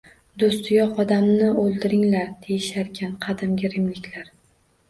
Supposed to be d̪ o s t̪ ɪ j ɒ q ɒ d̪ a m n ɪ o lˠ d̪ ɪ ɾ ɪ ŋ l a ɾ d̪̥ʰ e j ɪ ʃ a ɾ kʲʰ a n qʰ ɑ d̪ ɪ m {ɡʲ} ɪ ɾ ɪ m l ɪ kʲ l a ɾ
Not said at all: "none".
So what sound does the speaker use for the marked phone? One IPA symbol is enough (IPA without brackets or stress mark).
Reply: ɡʲ